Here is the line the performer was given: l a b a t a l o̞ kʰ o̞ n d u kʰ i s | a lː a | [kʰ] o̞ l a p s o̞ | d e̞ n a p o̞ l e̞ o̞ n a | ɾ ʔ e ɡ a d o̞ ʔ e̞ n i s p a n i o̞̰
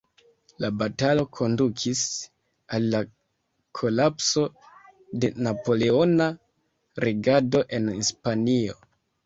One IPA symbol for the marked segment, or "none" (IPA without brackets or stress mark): kʰ